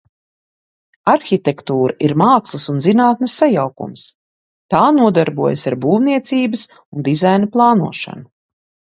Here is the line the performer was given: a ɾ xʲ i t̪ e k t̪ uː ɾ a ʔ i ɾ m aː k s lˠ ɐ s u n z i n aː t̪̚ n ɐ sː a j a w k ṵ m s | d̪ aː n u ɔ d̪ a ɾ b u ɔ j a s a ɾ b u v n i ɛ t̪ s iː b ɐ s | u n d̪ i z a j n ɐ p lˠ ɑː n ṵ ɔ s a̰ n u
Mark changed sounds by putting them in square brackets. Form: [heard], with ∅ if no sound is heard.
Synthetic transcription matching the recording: a ɾ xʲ i t̪ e k t̪ uː ɾ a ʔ i ɾ m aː k s lˠ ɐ s u n z i n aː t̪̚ n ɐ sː a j a w k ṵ m s | [t̪] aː n u ɔ d̪ a ɾ b u ɔ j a s a ɾ b [uː] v n i ɛ t̪ s iː b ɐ s | u n d̪ i z a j n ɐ p lˠ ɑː n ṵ ɔ [ʃ] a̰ n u